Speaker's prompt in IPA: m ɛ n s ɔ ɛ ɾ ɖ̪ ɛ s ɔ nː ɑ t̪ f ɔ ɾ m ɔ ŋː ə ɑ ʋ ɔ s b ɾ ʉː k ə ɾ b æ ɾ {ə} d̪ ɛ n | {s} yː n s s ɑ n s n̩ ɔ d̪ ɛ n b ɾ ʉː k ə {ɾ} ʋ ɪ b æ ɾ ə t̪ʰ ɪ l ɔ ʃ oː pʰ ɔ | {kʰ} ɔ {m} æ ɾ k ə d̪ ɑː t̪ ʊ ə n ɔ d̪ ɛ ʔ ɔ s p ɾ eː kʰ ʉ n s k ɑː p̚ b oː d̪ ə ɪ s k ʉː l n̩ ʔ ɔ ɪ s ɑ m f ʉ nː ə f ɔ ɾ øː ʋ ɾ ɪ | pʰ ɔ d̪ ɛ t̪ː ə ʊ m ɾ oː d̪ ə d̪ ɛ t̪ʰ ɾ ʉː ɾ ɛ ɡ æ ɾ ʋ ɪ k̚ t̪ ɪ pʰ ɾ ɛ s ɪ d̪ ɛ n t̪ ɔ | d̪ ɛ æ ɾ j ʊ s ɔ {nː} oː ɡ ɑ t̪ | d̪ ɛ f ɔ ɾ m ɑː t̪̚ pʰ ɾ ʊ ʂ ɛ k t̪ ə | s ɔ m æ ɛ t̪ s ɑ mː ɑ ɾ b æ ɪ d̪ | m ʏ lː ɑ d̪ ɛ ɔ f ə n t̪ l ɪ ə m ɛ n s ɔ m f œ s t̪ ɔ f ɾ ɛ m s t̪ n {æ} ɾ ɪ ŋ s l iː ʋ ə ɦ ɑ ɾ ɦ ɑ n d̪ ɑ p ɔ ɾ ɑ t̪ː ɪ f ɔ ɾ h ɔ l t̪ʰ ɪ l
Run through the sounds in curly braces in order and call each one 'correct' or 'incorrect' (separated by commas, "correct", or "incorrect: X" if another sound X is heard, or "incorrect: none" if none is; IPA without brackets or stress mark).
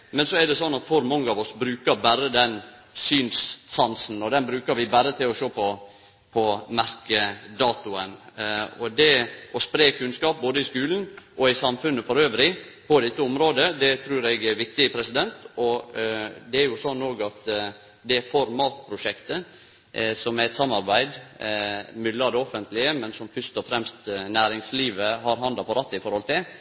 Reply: correct, correct, correct, incorrect: pʰ, correct, correct, incorrect: æː